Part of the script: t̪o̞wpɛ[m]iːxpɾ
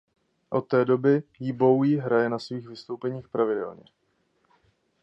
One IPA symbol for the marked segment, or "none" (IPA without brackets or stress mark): ɲ